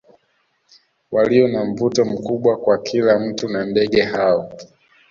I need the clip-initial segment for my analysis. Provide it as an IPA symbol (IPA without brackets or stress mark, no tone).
w